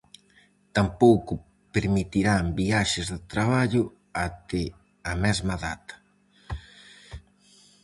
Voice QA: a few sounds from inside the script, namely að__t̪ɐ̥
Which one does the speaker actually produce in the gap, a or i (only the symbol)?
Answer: a